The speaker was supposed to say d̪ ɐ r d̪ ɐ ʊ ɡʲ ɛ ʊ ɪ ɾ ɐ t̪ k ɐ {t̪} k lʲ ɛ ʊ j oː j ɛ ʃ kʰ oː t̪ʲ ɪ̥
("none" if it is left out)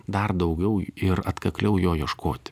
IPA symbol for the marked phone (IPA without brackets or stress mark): none